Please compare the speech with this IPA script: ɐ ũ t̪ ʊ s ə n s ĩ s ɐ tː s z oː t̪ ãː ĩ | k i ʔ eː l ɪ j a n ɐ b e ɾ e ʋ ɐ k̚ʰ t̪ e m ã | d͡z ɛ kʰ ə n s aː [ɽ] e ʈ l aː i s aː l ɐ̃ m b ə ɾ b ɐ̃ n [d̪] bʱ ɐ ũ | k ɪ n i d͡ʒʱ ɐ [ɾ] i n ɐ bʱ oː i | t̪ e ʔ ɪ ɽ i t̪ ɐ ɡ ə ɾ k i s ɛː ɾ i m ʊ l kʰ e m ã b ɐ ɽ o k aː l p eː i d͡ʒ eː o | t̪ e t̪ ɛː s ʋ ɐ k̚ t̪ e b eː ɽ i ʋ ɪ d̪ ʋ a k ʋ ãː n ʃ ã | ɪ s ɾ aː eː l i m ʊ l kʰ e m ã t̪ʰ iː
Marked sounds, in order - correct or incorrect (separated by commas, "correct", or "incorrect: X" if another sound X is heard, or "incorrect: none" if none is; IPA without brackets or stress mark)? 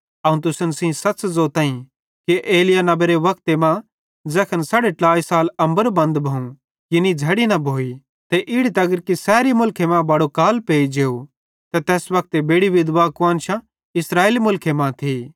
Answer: correct, correct, incorrect: ɽ